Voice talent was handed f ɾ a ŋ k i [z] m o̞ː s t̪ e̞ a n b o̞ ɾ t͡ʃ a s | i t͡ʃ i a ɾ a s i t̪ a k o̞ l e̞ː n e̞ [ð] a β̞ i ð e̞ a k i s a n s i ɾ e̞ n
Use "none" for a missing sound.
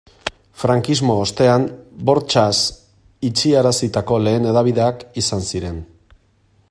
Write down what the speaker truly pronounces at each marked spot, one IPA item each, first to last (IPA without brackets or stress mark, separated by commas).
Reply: z, ð